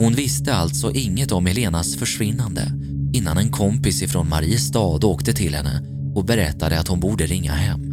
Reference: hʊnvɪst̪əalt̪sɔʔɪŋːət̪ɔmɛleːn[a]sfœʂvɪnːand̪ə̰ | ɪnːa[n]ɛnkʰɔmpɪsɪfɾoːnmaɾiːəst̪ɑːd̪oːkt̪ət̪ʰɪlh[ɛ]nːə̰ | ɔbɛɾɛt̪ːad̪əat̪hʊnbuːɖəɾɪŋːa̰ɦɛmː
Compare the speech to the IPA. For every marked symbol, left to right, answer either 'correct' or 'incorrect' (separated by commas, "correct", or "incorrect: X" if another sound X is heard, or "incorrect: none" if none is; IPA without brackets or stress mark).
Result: correct, correct, correct